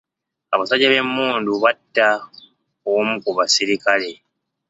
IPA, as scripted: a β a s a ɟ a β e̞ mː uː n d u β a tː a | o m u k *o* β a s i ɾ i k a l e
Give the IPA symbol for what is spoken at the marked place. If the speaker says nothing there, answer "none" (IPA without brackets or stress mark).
u